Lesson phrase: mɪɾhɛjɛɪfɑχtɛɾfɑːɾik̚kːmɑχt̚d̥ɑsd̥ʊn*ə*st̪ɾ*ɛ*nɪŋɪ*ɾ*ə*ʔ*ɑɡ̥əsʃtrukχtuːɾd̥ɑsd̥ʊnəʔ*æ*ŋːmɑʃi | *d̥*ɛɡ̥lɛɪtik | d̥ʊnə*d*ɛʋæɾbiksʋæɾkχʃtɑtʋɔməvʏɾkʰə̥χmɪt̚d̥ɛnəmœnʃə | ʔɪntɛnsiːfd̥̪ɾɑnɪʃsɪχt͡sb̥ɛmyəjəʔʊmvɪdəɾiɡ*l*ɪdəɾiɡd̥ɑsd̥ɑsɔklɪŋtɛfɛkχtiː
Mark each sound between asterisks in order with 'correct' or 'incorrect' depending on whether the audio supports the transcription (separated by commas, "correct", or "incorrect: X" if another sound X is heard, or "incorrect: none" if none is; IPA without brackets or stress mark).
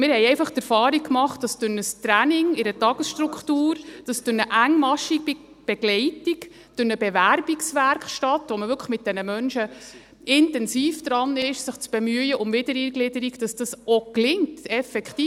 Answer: correct, incorrect: æ, correct, incorrect: t, correct, incorrect: b̥, incorrect: b, correct